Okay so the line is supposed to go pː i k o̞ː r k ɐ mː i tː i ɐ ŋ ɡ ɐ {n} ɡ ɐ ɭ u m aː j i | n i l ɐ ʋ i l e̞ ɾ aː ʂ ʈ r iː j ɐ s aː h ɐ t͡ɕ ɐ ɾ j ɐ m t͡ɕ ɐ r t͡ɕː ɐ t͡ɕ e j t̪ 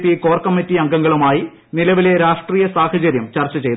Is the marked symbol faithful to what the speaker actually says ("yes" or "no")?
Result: no